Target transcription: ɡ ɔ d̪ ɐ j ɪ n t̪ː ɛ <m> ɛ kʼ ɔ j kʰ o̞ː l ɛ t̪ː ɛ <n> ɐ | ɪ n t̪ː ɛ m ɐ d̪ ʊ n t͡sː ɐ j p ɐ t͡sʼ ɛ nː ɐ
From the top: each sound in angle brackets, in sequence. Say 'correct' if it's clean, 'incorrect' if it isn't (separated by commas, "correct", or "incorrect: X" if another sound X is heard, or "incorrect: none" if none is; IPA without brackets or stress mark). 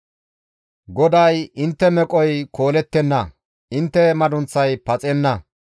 correct, incorrect: nː